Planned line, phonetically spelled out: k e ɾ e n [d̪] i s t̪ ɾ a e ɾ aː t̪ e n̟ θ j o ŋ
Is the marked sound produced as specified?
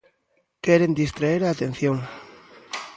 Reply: yes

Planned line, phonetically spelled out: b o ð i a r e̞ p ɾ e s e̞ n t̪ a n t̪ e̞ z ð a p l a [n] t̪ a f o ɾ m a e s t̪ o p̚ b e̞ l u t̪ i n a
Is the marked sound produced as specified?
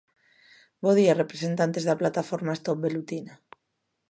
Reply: no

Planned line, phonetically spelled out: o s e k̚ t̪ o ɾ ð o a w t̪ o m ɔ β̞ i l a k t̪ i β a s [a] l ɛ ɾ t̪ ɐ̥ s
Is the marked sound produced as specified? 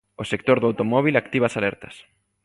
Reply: yes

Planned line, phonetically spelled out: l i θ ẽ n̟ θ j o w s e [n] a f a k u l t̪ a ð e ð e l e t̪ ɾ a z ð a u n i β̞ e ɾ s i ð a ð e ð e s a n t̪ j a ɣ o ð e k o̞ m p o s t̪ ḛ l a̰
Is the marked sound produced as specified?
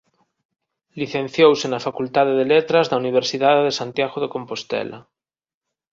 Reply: yes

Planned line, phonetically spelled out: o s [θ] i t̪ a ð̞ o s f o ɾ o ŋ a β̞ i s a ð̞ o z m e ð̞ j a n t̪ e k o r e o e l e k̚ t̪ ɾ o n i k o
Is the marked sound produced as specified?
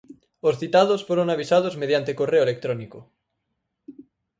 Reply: yes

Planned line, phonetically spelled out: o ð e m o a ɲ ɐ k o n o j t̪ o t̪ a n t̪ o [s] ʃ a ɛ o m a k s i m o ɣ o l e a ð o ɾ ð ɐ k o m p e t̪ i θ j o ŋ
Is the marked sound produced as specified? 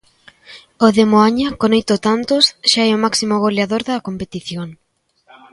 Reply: yes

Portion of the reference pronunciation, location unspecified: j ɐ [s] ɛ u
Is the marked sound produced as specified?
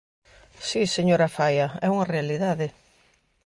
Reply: no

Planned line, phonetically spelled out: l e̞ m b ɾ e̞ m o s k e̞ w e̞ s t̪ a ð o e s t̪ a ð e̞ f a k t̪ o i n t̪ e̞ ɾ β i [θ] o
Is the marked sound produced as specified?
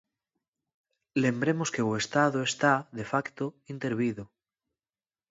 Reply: no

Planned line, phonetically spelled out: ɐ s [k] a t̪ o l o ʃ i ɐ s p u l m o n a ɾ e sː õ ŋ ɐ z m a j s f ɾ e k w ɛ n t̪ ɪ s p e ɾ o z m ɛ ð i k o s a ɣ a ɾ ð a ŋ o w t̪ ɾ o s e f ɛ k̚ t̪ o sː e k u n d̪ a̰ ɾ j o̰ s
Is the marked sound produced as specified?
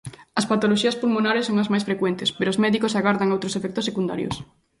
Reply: no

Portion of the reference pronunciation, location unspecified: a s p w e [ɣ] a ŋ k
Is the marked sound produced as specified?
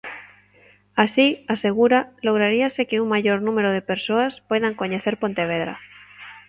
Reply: no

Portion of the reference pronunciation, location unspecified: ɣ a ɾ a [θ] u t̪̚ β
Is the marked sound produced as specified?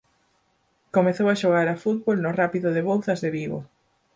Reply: no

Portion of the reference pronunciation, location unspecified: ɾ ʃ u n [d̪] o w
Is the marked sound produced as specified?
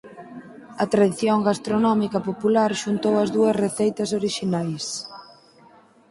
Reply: no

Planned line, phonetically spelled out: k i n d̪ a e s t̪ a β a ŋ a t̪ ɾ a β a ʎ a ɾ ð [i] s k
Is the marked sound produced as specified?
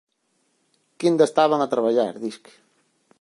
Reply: yes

